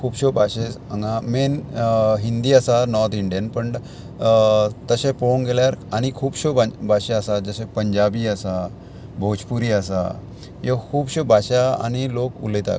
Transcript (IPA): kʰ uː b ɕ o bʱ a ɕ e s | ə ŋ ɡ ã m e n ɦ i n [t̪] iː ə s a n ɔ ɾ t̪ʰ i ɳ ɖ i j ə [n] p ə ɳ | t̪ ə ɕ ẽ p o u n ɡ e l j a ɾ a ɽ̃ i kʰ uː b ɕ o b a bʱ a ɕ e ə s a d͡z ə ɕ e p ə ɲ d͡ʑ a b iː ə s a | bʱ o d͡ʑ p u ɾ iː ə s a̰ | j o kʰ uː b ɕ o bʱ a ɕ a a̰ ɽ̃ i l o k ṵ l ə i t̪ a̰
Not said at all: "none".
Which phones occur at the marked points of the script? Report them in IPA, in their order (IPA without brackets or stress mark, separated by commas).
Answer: d̪, n